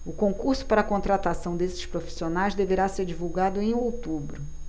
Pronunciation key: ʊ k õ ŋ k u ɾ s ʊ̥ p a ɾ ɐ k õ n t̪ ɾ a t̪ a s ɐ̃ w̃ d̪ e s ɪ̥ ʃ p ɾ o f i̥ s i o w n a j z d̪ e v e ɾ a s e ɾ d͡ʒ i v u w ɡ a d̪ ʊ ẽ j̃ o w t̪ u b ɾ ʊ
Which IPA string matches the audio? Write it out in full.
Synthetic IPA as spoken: ʊ k õ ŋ k u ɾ s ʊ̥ p a ɾ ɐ k õ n t̪ ɾ a t̪ a s ɐ̃ w̃ d̪ e s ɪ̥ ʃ p ɾ o f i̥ s i o n a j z d̪ e v e ɾ a s e ɾ d͡ʒ i v u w ɡ a d̪ ʊ ẽ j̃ o w t̪ u b ɾ ʊ